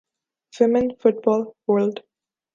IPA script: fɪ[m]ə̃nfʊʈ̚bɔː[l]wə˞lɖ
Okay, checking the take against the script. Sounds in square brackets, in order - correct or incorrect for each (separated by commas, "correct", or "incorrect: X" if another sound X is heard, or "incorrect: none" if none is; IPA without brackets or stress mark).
correct, correct